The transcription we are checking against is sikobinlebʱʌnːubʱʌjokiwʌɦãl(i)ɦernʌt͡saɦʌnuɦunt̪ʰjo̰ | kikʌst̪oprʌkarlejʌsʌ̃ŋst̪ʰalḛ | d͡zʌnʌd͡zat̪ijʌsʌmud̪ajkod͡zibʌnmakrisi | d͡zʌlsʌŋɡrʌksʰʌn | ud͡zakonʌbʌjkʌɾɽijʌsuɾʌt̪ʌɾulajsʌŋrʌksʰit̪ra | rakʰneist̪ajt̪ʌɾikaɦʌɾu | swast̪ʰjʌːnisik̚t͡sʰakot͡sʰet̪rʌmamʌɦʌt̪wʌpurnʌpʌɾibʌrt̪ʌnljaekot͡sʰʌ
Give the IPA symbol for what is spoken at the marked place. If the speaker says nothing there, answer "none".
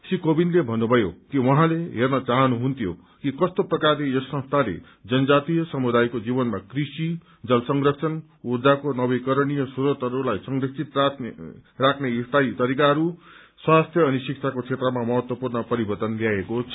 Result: e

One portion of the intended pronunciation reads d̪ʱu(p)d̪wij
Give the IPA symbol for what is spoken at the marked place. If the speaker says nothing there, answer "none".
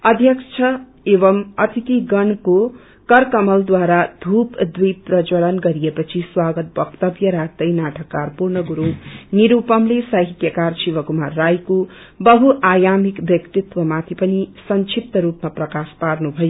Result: p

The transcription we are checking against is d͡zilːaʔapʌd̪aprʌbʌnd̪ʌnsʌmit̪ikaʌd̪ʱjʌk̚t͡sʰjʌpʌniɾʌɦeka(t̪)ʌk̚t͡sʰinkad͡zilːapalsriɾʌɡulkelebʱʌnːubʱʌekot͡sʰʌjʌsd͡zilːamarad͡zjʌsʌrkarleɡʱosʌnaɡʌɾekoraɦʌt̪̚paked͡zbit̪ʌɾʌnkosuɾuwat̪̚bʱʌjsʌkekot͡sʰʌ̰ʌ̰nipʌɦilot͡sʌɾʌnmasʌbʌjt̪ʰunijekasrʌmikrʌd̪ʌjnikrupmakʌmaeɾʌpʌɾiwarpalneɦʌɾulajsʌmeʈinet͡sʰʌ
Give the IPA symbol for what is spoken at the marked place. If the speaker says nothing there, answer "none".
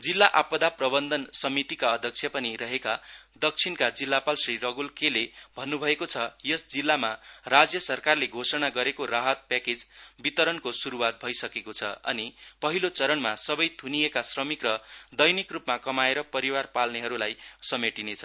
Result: d̪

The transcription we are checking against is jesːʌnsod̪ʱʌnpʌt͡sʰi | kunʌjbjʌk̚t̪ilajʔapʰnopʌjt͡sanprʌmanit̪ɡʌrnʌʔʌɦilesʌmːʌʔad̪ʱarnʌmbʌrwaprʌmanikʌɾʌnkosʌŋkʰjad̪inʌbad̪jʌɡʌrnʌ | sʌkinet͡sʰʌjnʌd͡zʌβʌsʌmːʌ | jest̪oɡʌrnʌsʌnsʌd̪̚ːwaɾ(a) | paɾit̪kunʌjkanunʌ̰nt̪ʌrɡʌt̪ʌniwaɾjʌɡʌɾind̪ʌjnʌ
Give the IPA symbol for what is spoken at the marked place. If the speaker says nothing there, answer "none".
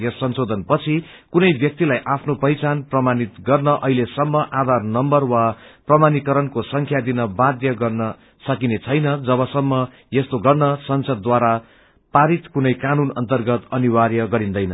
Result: a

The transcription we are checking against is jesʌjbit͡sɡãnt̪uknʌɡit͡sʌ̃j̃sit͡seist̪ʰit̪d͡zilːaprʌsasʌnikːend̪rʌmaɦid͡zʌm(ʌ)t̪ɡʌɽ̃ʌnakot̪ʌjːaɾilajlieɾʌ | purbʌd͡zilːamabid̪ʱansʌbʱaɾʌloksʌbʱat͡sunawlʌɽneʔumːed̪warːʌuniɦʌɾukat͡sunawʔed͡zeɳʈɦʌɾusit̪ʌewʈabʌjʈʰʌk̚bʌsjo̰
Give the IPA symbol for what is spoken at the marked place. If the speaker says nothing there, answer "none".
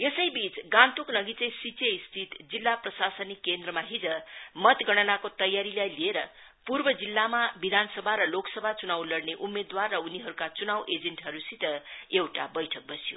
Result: ʌ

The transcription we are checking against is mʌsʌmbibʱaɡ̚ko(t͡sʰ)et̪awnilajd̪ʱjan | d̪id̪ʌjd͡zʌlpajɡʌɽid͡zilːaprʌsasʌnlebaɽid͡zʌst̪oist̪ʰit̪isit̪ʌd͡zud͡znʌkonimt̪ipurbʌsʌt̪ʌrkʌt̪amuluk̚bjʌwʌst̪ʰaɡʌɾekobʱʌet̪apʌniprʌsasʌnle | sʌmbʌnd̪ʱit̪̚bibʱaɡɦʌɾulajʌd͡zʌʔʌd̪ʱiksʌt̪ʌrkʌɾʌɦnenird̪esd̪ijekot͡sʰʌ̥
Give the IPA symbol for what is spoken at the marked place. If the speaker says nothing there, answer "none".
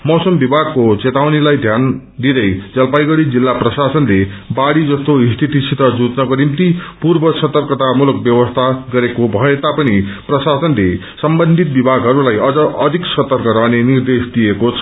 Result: t͡s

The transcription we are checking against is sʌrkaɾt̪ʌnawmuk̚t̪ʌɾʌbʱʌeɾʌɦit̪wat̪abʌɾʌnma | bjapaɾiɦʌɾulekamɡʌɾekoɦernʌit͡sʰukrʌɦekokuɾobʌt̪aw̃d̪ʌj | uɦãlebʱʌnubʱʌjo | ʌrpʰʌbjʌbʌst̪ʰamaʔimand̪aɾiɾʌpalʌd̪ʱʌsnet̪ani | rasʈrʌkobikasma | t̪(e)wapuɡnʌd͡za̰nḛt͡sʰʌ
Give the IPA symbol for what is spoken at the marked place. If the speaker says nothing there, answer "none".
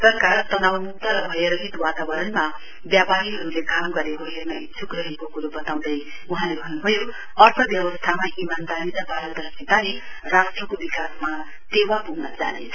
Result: e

